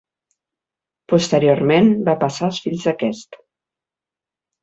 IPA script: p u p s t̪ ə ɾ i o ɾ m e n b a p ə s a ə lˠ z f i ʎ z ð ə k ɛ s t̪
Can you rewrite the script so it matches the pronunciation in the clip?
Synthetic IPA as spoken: p u s t̪ ə ɾ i o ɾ m e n b a p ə s a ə lˠ s f i ʎ z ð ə k ɛ s t̪